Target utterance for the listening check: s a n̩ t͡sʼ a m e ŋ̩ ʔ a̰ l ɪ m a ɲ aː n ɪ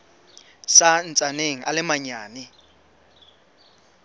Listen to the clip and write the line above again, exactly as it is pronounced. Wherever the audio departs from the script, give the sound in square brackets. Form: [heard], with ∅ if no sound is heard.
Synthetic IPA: s a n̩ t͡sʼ a [n] e ŋ̩ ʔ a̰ l ɪ m a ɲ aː n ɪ